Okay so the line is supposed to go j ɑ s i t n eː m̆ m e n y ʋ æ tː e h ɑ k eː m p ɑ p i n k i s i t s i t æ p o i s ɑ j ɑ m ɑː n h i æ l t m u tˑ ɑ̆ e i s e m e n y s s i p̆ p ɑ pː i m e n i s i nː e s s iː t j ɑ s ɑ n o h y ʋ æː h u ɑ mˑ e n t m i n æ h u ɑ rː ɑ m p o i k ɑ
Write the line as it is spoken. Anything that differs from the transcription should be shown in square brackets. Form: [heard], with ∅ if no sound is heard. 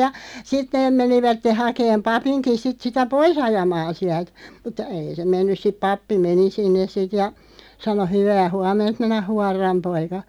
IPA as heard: j ɑ s i t n eː m̆ m e n [i] ʋ æ tː e h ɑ k eː m p ɑ p i n k i s i t s i t æ p o i s ɑ j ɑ m ɑː n [s] i æ l t m u tˑ ɑ̆ e i s e m e [nː] y s s i p̆ p ɑ pː i m e n i s i nː e s s [i] t j ɑ s ɑ n o h y ʋ æː h u ɑ mˑ e n t m i n æ h u ɑ rː ɑ m p o i k ɑ

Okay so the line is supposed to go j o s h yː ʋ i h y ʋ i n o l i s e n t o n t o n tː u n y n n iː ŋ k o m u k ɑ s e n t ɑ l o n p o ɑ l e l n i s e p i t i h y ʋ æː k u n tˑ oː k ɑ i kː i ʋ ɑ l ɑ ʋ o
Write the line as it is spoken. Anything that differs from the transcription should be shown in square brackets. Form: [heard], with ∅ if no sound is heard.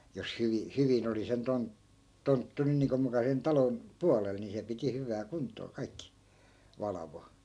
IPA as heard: j o s h [y] ʋ i h y ʋ i n o l i s e n t o n t o n tː u n y n n iː ŋ k o m u k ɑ s e n t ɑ l o n p [u] ɑ l e l n i s e p i t i h y ʋ æː k u n tˑ oː k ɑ i kː i ʋ ɑ l ɑ ʋ o

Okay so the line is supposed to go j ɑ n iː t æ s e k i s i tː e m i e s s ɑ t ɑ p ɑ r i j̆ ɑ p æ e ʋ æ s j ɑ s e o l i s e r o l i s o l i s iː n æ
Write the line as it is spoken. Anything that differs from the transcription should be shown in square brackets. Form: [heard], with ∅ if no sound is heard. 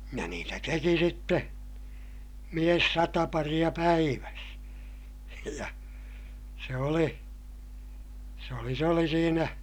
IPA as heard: j ɑ n iː t æ [t] e k i s i tː e m i e s s ɑ t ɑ p ɑ r i j̆ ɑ p æ [i] ʋ æ s j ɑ s e o l i s e [∅] o l i s o l i s iː n æ

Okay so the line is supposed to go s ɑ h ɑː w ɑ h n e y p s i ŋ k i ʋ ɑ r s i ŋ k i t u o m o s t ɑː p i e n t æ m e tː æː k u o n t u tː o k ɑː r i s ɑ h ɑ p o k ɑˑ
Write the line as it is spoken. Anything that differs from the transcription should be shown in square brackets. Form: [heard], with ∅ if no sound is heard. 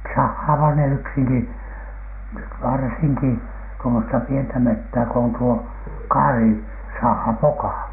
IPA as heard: s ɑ [hː] ɑː [ʋ] ɑ h n e y [k] s i ŋ k i ʋ ɑ r s i ŋ k i t u o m o s t [ɑ] p i e n t æ m e tː æː k [o] o n t u [∅] o k ɑː r i s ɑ h ɑ p o k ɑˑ

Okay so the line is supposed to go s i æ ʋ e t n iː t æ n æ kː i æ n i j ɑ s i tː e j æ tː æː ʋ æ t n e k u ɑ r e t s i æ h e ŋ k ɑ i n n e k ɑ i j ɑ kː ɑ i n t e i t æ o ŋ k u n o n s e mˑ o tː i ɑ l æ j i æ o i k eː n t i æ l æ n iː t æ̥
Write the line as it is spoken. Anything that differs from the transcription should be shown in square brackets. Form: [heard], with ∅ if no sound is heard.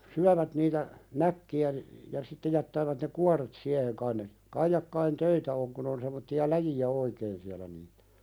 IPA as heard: s [y] æ ʋ [æ] t n iː t æ n æ kː i æ n i j ɑ s i tː e j æ tː æː ʋ æ t n e k u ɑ r e t s i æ h e ŋ k ɑ i n n e k ɑ i j ɑ kː ɑ i n t [ø] i t æ o ŋ k u n o n s e mˑ o tː i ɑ l æ j i æ o i k eː n [s] i æ l æ n iː t æ̥

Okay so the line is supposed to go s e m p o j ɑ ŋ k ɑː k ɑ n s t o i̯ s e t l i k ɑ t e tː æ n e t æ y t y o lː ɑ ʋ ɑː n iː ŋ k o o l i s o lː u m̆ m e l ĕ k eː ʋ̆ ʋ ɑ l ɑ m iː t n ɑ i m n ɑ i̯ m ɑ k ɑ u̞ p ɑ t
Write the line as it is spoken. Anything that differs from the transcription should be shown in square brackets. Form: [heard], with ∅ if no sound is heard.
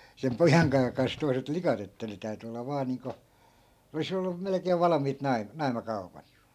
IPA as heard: s e m p o j ɑ ŋ k ɑː k ɑ n s t o i̯ s e t l i k ɑ t e tː æ n e t æ y t y o lː ɑ ʋ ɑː n iː ŋ k o o l i s o lː u m̆ m e l ĕ k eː ʋ̆ ʋ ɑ l ɑ m iː t n ɑ i m n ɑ i̯ m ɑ k ɑ u̞ p ɑ t

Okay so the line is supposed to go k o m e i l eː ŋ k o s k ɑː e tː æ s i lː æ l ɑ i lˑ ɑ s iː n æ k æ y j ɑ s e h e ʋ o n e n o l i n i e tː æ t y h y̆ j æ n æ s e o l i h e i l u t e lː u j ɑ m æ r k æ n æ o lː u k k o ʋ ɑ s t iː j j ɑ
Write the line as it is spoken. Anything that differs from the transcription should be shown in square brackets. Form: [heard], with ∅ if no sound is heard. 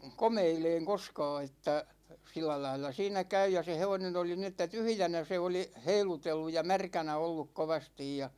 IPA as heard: k o m e i l eː ŋ k o s k ɑː e tː æ s i lː æ l ɑ i lˑ ɑ s iː n æ k æ y j ɑ s e h e ʋ o n e n o l i n i e tː æ t y h y̆ j æ n æ s e o l i h e i l u t e lː u j ɑ m æ r k æ n æ o lː u k k o ʋ ɑ s t [i] j j ɑ

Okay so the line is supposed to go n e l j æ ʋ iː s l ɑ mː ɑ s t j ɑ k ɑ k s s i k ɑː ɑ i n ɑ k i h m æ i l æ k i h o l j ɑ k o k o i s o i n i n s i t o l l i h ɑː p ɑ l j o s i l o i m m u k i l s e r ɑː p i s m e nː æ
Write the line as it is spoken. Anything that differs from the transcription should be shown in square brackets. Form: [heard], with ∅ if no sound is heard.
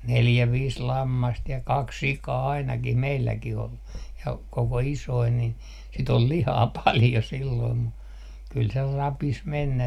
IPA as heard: n e l j æ ʋ iː s l ɑ mː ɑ s t j ɑ k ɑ k s s i k ɑː ɑ i n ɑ k i h m [e] i [lː] æ k i h o l j ɑ k o k o i s o i n i n s i t o l l i h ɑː p ɑ l j o s i [lː] o i m m u k [y] l s e r [ɑ] p i s m e nː æ

